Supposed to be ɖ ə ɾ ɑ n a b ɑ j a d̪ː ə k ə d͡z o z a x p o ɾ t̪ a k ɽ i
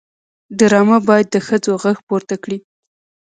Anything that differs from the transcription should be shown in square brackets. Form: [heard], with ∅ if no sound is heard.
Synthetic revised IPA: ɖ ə ɾ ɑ [m] a b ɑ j a d̪ː ə [x] ə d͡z o [ɣ] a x p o ɾ t̪ a k ɽ i